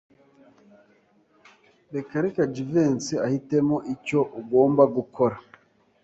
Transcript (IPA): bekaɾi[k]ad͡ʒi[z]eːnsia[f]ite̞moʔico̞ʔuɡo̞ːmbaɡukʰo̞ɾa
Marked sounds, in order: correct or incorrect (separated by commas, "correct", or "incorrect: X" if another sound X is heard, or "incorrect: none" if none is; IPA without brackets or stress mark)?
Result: correct, incorrect: v, incorrect: h